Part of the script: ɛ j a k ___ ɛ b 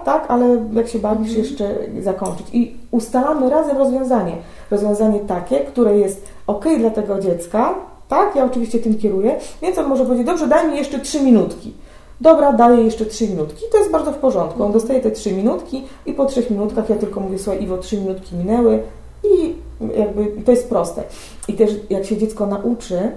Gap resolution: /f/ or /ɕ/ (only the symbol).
ɕ